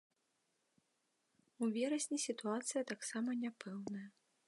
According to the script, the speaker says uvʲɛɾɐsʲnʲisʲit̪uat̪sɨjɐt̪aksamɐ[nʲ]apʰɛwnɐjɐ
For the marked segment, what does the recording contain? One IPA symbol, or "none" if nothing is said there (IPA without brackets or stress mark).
nʲ